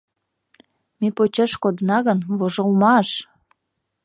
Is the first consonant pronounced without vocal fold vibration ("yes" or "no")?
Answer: no